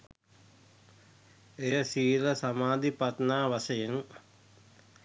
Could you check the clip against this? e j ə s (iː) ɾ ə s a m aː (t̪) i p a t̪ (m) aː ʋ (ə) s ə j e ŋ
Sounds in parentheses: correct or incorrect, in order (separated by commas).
correct, incorrect, incorrect, incorrect